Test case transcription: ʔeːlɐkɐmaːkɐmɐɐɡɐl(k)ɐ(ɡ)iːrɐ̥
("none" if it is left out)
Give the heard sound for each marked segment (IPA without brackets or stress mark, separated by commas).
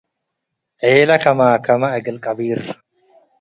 kʼ, b